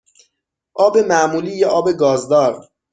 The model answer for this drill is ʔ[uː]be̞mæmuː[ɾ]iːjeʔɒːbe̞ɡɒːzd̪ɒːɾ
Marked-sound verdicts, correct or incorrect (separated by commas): incorrect, incorrect